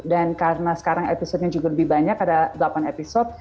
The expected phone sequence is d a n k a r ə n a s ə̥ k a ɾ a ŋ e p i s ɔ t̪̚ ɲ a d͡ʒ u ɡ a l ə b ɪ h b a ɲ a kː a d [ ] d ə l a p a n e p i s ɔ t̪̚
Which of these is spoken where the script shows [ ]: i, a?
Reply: a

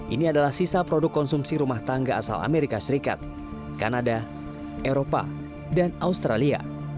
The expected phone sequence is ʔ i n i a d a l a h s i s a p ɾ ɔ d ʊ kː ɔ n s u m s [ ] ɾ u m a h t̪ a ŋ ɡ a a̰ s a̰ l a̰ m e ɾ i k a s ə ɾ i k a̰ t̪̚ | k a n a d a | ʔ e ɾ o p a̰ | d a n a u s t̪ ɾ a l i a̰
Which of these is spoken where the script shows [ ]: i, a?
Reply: i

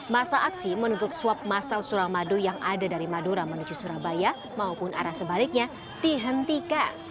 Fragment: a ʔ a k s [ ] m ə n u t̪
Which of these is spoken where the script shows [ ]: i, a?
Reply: i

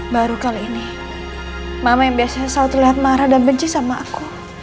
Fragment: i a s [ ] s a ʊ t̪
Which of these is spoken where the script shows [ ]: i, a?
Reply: a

